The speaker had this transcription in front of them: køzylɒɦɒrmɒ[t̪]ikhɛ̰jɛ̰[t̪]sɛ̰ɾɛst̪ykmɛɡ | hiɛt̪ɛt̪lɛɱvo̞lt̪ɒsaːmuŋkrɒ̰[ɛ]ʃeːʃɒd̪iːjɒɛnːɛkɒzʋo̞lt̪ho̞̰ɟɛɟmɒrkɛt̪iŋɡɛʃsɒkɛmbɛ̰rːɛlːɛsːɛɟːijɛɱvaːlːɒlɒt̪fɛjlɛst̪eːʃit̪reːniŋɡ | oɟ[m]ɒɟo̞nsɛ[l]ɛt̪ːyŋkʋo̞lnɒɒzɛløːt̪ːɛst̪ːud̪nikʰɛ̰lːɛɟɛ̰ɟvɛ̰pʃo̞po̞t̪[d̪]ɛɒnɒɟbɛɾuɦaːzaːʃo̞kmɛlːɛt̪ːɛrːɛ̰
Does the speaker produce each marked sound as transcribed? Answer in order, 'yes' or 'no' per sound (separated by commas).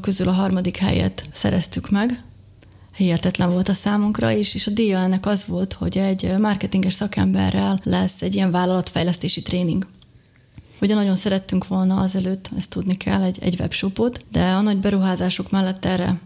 no, yes, no, no, no, yes